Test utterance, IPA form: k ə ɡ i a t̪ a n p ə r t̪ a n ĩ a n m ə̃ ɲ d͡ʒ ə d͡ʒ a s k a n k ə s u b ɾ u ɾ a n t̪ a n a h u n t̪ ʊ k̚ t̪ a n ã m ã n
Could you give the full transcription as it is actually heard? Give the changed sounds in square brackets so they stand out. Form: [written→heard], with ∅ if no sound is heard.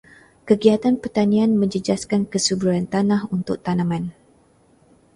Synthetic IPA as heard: k ə ɡ i a t̪ a n p ə r t̪ a n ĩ a n m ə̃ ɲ d͡ʒ ə d͡ʒ a s k a n k ə s u b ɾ u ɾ a n t̪ a n a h u n t̪ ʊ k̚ t̪ a n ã m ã n